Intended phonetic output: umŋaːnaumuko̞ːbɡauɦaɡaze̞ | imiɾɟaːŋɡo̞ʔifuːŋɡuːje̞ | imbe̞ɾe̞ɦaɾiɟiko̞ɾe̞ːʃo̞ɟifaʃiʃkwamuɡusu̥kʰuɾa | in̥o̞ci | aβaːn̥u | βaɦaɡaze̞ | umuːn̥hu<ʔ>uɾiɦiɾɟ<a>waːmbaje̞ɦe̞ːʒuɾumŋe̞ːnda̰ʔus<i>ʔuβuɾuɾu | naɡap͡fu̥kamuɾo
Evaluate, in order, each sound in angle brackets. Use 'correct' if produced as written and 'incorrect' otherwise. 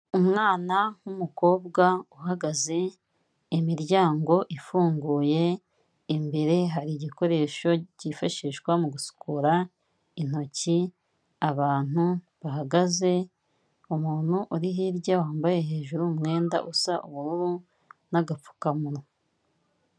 correct, correct, incorrect: a

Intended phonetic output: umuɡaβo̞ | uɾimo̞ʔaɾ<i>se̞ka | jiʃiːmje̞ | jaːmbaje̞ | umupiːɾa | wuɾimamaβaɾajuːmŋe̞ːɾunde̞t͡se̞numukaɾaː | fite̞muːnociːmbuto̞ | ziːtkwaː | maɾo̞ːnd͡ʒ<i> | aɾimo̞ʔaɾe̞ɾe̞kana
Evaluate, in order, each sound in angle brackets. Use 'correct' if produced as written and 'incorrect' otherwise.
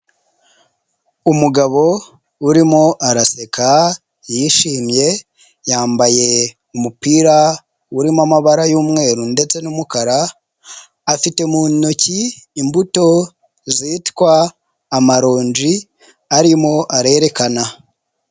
incorrect: a, correct

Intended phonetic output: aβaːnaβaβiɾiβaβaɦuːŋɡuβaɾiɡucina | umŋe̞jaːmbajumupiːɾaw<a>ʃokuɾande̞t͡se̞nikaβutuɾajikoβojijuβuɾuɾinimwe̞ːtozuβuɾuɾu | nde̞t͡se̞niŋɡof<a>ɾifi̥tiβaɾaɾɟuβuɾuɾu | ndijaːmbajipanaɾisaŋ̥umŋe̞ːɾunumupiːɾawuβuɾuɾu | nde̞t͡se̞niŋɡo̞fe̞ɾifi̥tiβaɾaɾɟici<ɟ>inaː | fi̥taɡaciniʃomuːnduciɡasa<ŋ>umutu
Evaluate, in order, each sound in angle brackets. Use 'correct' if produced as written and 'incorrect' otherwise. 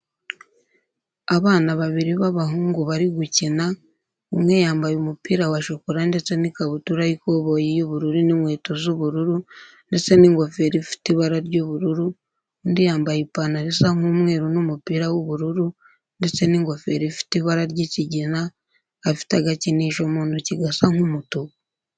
correct, incorrect: e, correct, correct

